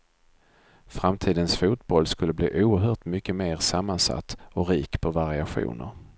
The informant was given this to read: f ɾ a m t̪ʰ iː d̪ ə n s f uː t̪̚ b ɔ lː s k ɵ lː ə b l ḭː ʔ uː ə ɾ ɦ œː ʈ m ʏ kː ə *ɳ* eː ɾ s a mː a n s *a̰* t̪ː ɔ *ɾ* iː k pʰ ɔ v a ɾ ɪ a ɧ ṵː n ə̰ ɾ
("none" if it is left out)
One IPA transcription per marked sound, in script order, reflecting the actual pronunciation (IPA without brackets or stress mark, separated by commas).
m, a̰, ɾ